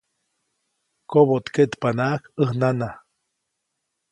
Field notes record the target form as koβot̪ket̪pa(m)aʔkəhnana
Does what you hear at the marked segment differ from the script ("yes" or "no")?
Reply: yes